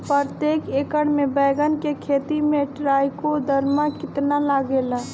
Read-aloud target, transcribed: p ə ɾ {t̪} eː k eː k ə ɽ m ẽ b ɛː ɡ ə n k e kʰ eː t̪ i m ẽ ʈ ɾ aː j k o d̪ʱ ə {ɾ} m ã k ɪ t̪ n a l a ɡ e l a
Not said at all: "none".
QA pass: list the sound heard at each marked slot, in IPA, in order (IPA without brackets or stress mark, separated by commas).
t̪, ɾ